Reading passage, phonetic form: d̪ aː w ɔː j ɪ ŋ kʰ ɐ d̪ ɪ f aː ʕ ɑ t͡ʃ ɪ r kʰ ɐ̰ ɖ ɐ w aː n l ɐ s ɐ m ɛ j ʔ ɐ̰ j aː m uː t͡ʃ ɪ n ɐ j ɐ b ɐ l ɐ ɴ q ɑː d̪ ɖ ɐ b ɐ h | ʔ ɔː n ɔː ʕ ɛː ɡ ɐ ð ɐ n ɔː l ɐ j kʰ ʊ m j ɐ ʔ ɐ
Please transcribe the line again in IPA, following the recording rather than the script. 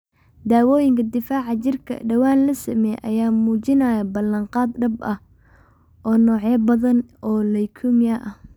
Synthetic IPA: d̪ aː w ɔː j ɪ ŋ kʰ ɐ d̪ ɪ f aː ʕ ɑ t͡ʃ ɪ r kʰ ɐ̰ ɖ ɐ w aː n l ɐ s ɐ m ɛ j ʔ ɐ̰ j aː m uː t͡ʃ ɪ n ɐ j ɐ b ɐ l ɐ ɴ q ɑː d̪ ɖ ɐ b ɐ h | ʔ ɔː n ɔː ʕ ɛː b ɐ ð ɐ n ɔː l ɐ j kʰ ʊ m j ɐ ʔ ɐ

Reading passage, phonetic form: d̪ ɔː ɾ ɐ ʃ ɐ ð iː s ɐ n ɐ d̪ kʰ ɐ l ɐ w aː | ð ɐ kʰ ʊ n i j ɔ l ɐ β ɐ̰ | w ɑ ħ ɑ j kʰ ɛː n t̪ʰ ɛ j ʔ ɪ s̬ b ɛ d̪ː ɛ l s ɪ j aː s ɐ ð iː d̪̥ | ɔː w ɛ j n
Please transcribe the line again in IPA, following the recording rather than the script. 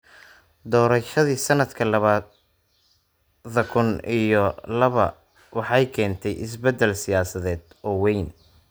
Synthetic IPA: d̪ ɔː ɾ ɐ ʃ ɐ ð iː s ɐ n ɐ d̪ kʰ ɐ l ɐ β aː | ð ɐ kʰ ʊ n i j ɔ l ɐ β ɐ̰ | w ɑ ħ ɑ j kʰ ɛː n t̪ʰ ɛ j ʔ ɪ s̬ b ɛ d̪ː ɛ l s ɪ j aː s ɐ ð ɛː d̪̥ | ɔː w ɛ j n

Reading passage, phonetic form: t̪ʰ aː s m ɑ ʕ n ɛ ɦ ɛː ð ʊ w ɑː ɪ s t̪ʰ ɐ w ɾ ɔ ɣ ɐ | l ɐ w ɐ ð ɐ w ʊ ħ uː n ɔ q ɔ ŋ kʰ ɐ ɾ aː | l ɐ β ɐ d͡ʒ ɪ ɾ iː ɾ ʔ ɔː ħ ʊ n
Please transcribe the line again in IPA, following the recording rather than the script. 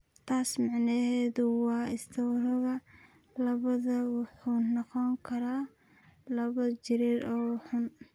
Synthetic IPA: t̪ʰ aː s m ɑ ʕ n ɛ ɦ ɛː ð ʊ w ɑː ɪ s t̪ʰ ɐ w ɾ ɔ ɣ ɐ | l ɐ β ɐ ð ɐ w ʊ ħ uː n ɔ q ɔ ŋ kʰ ɐ ɾ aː | l ɐ β ɐ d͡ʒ ɪ ɾ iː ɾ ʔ ɔː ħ ʊ n

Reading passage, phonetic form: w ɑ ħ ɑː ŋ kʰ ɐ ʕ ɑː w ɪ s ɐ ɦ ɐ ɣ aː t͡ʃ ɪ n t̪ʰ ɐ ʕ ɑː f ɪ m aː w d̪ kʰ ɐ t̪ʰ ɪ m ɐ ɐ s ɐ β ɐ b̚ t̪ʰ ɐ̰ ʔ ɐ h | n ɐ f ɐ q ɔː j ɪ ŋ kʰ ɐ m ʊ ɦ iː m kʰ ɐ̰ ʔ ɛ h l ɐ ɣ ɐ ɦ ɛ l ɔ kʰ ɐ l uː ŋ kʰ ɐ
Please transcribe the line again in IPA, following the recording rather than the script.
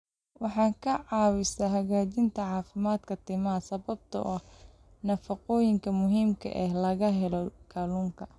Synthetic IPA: w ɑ ħ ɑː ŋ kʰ ɐ ʕ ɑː w ɪ s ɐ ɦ ɐ ɣ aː t͡ʃ ɪ n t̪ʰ ɐ ʕ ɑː f ɪ m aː d̪ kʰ ɐ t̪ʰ ɪ m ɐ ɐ s ɐ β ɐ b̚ t̪ʰ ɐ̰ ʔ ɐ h | n ɐ f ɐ q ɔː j ɪ ŋ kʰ ɐ m ʊ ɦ iː m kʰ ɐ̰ ʔ ɛ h l ɐ ɣ ɐ ɦ ɛ l ɔ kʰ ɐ l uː ŋ kʰ ɐ

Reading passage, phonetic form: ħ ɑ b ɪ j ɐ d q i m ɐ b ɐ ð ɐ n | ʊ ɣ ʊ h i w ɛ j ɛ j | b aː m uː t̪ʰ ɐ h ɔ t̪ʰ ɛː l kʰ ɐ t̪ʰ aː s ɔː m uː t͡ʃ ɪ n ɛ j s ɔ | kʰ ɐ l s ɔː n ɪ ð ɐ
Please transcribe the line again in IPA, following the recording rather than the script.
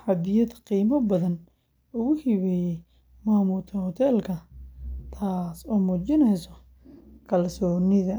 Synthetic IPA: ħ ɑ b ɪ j ɐ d q iː m ɐ b ɐ ð ɐ n | ʊ ɣ ʊ h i β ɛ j ɛ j | m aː m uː t̪ʰ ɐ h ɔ t̪ʰ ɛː l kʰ ɐ t̪ʰ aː s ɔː m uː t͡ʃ ɪ n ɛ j s ɔ | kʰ ɐ l s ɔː n ɪ ð ɐ

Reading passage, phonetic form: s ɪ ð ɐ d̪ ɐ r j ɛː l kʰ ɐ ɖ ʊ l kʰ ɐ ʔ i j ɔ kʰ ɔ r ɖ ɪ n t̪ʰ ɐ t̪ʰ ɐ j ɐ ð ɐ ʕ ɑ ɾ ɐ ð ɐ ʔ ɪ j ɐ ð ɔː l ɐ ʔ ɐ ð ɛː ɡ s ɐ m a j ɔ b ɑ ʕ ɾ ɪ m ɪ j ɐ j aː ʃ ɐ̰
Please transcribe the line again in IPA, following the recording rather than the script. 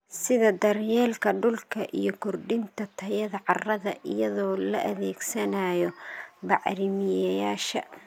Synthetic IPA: s ɪ ð ɐ d̪ ɐ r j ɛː l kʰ ɐ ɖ ʊ l kʰ ɐ ʔ i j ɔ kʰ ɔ r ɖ ɪ n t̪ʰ ɐ t̪ʰ ɐ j ɐ ð ɐ ʕ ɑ r ɐ ð ɐ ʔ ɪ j ɐ ð ɔː l ɐ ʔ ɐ ð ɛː ɡ s ɐ n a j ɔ b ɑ ʕ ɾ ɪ m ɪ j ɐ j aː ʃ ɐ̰

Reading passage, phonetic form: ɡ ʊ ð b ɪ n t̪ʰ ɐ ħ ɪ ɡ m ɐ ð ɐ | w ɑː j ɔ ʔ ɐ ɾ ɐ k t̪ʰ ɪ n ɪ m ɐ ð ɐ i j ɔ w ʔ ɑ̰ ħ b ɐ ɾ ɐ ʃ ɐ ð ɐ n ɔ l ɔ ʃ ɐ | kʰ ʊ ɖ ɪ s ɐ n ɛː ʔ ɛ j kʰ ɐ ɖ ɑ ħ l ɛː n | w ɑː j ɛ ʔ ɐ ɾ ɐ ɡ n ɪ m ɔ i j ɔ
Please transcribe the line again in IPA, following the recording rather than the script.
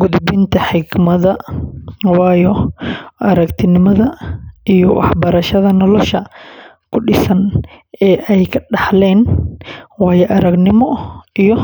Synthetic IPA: ɡ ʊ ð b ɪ n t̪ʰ ɐ ħ ɪ ɡ m ɐ ð ɐ | w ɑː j ɔ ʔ ɐ ɾ ɐ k t̪ʰ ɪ n ɪ m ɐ ð ɐ i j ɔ w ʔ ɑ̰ ħ b ɐ ɾ ɐ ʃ ɐ ð ɐ n ɔ l ɔ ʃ ɐ | kʰ ʊ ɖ ɪ s ɐ n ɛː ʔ ɛ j kʰ ɐ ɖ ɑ ħ l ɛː n | w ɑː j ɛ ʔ ɐ ɾ ɐ ɡ n ɪ m ɔ i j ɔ

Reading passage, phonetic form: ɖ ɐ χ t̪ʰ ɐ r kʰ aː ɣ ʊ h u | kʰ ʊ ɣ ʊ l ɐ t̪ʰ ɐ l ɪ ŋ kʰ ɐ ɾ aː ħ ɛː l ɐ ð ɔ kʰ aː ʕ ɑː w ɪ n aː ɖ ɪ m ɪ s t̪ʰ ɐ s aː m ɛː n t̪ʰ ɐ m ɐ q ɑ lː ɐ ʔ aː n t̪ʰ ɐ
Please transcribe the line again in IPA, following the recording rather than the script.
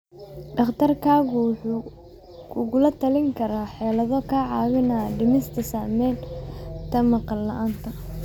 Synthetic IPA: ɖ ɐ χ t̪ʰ ɐ r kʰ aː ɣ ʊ ħ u | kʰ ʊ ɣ ʊ l ɐ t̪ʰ ɐ l ɪ ŋ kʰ ɐ ɾ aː ħ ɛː l ɐ ð ɔ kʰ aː ʕ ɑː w ɪ n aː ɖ ɪ m ɪ s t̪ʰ ɐ s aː m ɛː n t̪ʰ ɐ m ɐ q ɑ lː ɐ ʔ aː n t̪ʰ ɐ

